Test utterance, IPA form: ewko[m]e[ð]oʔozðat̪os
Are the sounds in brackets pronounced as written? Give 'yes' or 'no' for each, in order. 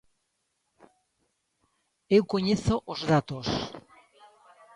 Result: no, no

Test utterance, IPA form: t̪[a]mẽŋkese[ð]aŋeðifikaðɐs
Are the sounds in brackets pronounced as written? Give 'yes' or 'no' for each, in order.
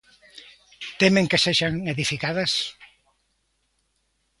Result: no, no

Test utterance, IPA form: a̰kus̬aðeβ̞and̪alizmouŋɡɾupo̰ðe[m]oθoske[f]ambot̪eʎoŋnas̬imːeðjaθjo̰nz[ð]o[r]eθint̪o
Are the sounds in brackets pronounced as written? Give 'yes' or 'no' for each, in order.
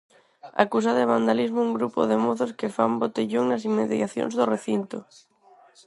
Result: yes, yes, yes, yes

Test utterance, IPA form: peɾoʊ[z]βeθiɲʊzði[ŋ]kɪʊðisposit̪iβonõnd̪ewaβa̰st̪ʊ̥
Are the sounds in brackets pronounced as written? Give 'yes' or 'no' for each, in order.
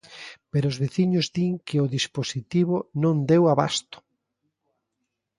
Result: yes, yes

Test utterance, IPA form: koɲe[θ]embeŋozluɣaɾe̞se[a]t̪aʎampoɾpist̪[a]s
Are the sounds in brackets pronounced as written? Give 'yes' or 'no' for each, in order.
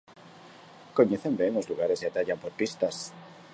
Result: yes, yes, yes

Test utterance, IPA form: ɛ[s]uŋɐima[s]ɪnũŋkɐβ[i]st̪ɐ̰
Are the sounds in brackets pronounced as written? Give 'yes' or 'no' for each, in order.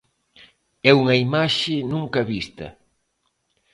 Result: no, no, yes

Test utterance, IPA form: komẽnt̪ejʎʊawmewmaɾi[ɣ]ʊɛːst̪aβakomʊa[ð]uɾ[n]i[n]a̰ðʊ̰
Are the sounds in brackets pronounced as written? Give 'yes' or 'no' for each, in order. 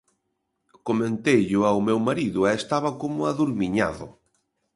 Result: no, yes, no, no

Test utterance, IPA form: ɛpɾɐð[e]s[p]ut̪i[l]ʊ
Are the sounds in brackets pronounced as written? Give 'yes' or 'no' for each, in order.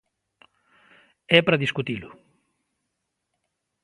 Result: no, no, yes

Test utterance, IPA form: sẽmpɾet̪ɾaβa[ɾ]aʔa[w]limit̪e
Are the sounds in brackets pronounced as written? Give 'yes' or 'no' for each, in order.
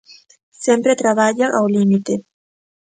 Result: no, yes

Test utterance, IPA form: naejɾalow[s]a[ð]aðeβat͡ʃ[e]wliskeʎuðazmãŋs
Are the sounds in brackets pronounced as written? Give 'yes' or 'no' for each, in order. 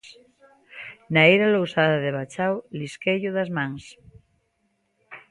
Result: yes, yes, no

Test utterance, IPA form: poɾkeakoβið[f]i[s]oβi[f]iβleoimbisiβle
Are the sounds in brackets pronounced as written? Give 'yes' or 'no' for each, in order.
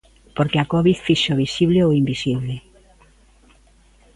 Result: yes, no, no

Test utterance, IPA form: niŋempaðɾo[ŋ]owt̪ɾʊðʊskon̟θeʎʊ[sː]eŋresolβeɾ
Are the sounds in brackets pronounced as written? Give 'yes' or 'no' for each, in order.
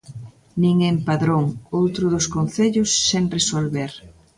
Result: yes, yes

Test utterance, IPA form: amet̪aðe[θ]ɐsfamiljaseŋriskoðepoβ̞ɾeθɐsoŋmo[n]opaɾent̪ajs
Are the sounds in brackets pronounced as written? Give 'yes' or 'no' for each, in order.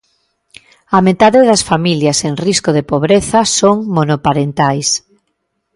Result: no, yes

